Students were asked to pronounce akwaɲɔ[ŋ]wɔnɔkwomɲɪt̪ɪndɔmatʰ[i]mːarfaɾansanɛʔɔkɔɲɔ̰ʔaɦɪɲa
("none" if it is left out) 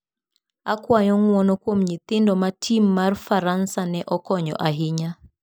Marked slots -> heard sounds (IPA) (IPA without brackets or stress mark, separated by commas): ŋ, i